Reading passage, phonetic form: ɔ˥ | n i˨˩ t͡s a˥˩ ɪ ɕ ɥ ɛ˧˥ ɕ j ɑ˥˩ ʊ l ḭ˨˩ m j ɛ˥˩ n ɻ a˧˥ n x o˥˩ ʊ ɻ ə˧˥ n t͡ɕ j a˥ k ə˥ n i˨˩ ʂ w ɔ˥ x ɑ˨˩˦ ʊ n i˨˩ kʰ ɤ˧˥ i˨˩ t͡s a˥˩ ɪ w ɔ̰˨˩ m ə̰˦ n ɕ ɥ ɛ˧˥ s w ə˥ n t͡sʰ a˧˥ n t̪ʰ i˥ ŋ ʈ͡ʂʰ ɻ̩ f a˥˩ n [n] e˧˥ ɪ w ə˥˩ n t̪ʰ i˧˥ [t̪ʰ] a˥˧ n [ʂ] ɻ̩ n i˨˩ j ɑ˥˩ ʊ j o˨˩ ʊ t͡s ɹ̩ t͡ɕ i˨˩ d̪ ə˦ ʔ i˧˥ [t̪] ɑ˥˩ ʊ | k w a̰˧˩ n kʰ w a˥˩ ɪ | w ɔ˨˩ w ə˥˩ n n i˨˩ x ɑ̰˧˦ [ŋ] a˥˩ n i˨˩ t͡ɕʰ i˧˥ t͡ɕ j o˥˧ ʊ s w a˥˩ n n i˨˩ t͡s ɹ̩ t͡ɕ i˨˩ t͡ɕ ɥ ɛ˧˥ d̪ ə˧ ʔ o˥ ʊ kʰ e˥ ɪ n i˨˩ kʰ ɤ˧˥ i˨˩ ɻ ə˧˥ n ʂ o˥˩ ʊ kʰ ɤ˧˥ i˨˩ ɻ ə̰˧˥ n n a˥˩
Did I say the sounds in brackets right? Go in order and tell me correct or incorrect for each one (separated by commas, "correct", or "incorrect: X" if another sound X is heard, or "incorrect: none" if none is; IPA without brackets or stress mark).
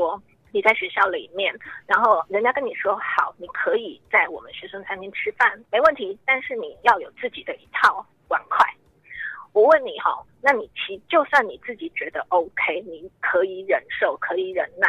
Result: incorrect: m, incorrect: t̪, correct, incorrect: t̪ʰ, incorrect: n